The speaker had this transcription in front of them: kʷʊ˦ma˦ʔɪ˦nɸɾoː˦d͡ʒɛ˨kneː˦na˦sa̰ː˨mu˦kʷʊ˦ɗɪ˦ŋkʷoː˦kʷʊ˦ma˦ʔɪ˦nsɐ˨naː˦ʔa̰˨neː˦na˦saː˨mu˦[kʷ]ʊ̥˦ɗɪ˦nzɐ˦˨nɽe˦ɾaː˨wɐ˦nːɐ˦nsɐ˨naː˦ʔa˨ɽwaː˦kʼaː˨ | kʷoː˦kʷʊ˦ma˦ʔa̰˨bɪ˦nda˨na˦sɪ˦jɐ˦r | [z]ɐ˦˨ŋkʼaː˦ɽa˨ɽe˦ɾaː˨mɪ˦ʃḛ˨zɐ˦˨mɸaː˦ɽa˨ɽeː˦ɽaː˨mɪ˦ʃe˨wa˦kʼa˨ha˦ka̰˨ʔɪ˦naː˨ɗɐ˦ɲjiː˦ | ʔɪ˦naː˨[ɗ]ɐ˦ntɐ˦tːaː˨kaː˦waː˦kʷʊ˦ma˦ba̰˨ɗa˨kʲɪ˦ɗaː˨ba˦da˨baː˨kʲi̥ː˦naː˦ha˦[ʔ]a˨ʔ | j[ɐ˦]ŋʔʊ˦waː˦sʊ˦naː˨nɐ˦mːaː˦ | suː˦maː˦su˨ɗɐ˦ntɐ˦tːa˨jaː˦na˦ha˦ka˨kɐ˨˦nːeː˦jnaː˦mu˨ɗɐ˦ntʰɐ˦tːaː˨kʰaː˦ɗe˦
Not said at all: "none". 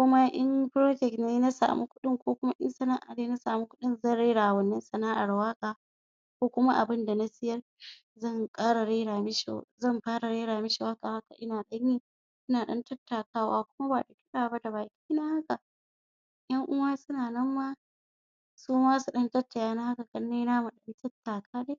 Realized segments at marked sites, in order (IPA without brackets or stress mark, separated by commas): kʷ, z, ɗ, k, ɐ˦